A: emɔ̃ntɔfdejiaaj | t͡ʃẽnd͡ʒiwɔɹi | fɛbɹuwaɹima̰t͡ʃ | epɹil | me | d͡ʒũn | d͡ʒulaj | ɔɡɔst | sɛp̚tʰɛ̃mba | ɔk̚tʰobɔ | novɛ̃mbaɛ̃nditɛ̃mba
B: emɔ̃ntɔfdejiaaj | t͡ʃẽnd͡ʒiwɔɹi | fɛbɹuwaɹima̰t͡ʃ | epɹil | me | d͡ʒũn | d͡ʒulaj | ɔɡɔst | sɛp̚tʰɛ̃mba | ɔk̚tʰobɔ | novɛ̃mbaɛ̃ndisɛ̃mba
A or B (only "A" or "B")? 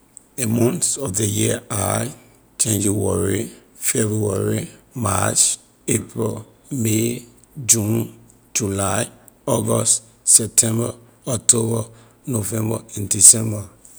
B